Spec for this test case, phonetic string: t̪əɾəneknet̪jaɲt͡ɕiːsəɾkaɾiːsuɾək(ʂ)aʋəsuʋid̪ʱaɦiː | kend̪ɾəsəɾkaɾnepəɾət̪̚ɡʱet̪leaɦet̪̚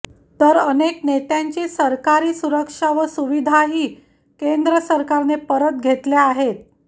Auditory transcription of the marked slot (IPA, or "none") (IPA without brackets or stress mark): ʂ